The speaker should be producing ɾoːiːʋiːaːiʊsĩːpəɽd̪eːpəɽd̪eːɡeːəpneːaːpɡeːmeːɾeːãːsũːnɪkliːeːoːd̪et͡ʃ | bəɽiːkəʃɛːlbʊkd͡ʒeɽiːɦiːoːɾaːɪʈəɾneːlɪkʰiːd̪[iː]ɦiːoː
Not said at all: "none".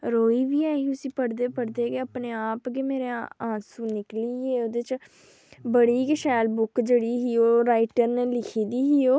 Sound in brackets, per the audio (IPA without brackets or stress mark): iː